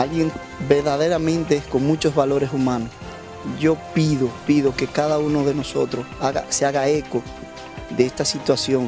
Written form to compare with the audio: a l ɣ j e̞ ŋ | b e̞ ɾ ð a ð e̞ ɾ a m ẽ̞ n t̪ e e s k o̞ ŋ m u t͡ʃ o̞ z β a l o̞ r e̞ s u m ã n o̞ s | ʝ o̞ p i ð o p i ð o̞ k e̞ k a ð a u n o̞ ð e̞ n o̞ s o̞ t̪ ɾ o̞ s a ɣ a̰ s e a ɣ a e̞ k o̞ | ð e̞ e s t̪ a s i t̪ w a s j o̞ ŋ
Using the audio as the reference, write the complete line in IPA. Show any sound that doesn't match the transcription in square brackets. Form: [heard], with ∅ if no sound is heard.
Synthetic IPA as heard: a l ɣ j e̞ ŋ | b e̞ ɾ ð a ð e̞ ɾ a m ẽ̞ n t̪ e e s k o̞ ŋ m u t͡ʃ o̞ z β a l o̞ [ɾ] e̞ s u m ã n o̞ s | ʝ o̞ p i ð o p i ð o̞ k e̞ k a ð a u n o̞ ð e̞ n o̞ s o̞ t̪ ɾ o̞ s a ɣ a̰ s e a ɣ a e̞ k o̞ | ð e̞ e s t̪ a s i t̪ w a s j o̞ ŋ